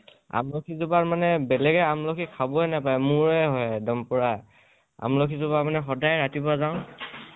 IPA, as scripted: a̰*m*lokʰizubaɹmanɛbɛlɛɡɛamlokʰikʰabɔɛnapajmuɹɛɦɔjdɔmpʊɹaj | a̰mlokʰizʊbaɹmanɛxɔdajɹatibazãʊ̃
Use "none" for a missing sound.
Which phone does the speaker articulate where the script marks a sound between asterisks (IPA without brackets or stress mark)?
m